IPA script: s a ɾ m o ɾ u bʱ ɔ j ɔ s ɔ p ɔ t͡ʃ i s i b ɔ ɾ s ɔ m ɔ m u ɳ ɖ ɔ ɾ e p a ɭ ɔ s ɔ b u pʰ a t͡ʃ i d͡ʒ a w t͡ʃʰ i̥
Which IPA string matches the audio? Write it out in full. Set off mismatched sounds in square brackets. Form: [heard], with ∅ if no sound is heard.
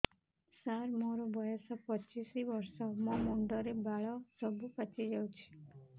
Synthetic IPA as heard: s a ɾ m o ɾ [ɔ] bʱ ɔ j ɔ s ɔ p ɔ t͡ʃ i s i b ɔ ɾ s ɔ m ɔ m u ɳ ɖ ɔ ɾ e [b] a ɭ ɔ s ɔ b u [p] a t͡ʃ i d͡ʒ a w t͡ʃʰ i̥